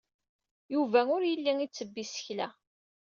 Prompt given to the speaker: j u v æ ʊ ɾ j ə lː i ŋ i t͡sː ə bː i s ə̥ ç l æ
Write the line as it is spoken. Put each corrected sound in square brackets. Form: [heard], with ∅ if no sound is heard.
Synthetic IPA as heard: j u v æ ʊ ɾ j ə lː i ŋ i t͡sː ə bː i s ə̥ ç l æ